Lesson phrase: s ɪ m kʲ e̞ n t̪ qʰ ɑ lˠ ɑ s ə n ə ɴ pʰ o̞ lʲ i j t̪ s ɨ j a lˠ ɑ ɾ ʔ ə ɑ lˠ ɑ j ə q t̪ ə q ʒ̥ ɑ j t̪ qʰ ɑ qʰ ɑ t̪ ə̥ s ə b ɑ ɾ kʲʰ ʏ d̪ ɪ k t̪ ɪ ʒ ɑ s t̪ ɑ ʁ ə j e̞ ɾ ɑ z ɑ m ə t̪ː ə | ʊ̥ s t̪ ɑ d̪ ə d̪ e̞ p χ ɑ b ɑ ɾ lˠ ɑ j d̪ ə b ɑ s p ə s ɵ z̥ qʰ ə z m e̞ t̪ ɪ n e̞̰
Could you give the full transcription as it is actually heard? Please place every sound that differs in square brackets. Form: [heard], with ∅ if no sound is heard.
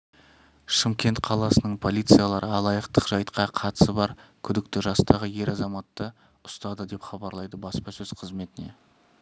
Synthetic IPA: [ʃ] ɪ m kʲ e̞ n t̪ qʰ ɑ lˠ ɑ s ə n ə ɴ pʰ o̞ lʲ i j t̪ s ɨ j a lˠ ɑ ɾ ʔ ə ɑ lˠ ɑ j ə q t̪ ə q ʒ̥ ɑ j t̪ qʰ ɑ qʰ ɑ t̪ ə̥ s ə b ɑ ɾ kʲʰ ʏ d̪ ɪ k t̪ ɪ ʒ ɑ s t̪ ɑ ʁ ə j e̞ ɾ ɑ z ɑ m [ɑ] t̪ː ə | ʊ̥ s t̪ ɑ d̪ ə d̪ e̞ p χ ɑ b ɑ ɾ lˠ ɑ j d̪ ə b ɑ s p [ɑ] s ɵ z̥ qʰ ə z m e̞ t̪ ɪ n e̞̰